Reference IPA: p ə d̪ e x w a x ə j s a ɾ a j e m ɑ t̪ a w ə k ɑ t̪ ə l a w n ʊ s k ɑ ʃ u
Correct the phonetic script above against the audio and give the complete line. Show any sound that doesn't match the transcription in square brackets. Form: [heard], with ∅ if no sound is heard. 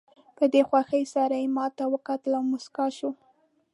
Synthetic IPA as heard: p ə d̪ e x w a x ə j s a ɾ a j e m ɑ t̪ a w ə k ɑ t̪ ə l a w [m] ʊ s k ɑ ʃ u